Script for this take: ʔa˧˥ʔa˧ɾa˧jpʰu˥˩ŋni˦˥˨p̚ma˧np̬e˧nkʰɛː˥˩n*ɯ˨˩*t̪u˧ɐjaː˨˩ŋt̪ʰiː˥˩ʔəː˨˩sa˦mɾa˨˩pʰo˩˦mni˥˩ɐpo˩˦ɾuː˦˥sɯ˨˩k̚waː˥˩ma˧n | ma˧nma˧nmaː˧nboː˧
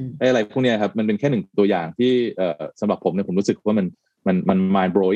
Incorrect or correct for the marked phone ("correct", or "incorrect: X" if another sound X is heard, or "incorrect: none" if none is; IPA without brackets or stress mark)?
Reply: correct